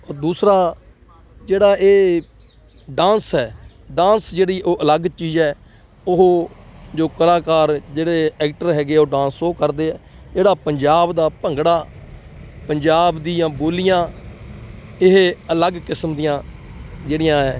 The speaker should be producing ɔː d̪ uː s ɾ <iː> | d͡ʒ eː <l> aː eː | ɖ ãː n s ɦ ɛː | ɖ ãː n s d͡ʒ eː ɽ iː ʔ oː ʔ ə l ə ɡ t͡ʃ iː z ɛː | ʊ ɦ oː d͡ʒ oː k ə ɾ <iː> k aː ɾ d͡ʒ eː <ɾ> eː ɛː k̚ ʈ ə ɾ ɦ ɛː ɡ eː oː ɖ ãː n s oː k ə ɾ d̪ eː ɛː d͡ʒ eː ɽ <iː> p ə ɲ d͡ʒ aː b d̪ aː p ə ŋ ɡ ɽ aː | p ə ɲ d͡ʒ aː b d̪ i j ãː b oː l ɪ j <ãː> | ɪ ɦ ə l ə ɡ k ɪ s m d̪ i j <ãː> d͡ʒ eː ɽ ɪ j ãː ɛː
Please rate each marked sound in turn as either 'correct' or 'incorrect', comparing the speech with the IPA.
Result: incorrect, incorrect, incorrect, incorrect, incorrect, correct, correct

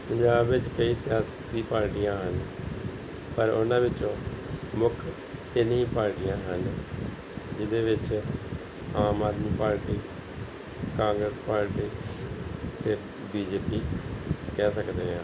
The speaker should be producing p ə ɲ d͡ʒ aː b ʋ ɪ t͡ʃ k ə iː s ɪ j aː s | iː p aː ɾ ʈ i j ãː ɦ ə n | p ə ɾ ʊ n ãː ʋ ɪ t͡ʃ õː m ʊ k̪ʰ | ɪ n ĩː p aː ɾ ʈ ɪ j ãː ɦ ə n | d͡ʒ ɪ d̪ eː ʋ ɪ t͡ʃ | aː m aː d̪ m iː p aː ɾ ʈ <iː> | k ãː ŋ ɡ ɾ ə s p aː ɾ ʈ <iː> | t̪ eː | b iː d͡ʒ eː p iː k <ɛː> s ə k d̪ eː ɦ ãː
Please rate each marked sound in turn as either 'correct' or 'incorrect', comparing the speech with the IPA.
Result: correct, correct, correct

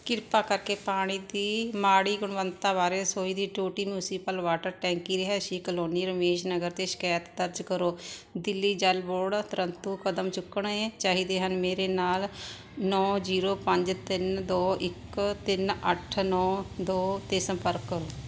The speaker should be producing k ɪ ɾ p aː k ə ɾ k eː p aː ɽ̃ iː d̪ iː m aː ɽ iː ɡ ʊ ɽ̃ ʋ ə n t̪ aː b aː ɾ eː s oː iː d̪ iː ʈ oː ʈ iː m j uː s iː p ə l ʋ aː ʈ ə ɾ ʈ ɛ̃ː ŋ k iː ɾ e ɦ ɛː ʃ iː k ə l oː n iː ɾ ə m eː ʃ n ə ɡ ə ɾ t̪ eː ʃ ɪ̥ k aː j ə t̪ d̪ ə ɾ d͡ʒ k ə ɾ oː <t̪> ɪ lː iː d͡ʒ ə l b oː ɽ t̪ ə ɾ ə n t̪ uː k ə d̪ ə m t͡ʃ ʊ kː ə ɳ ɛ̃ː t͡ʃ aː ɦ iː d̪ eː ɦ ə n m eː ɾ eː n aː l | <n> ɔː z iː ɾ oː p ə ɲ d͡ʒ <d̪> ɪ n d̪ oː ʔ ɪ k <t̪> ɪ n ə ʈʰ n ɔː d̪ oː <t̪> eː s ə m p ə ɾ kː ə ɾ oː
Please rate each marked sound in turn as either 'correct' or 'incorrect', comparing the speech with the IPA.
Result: incorrect, correct, incorrect, correct, correct

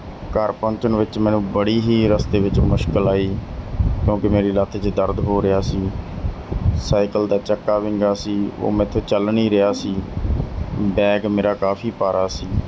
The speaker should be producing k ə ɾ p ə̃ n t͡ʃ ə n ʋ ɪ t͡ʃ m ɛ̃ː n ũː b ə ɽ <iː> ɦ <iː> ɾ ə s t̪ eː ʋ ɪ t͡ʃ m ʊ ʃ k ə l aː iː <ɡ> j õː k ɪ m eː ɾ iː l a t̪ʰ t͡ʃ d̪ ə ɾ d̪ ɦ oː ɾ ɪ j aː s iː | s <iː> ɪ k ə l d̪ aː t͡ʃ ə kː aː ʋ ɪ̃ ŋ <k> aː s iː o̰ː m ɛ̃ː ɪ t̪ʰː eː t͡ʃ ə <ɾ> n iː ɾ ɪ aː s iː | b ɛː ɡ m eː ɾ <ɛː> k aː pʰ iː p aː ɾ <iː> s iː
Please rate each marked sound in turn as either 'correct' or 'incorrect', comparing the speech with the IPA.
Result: correct, correct, incorrect, incorrect, incorrect, incorrect, incorrect, incorrect

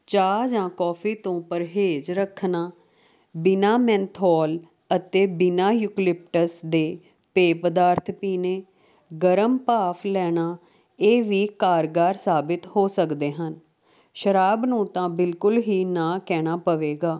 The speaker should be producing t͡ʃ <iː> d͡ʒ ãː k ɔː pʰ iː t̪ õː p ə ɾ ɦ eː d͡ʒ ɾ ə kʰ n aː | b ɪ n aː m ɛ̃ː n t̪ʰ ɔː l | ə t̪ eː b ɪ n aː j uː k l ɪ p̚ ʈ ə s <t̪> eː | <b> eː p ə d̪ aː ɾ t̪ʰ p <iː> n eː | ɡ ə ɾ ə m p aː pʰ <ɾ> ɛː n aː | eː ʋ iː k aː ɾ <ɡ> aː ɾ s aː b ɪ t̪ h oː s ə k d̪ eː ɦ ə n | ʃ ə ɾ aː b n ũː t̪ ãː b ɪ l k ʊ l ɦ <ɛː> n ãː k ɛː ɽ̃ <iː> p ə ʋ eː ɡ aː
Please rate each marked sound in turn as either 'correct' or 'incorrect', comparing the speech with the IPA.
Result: incorrect, incorrect, incorrect, correct, incorrect, correct, incorrect, incorrect

